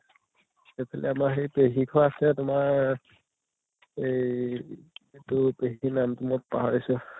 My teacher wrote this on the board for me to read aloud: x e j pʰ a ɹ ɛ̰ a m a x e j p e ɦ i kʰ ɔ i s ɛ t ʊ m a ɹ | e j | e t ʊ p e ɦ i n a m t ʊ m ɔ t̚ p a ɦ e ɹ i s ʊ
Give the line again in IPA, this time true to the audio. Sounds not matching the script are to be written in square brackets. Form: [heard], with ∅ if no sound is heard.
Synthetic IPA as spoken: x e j pʰ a [l] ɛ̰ a m a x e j p e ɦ i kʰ ɔ [a] s ɛ t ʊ m a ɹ | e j | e t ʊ p e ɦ i n a m t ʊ m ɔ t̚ p a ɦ [a] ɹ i s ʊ